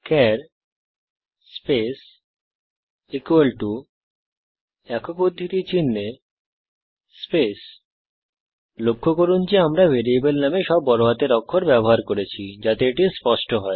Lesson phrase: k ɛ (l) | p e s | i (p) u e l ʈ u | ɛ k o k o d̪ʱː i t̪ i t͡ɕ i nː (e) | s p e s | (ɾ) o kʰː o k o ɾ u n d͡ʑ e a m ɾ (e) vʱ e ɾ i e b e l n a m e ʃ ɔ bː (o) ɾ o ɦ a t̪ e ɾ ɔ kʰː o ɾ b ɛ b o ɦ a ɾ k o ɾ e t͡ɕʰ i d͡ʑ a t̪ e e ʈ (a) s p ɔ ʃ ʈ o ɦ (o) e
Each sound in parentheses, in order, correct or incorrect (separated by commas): incorrect, incorrect, correct, incorrect, incorrect, incorrect, incorrect, incorrect